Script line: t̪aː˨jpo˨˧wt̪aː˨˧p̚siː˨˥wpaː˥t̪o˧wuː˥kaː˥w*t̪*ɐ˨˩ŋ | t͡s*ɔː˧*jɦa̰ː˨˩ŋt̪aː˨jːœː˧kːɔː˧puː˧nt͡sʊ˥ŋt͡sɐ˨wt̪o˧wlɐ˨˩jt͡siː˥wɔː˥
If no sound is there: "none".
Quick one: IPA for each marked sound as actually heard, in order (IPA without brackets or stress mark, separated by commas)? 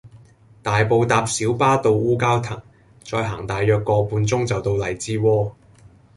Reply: t̪ʰ, ɔː˧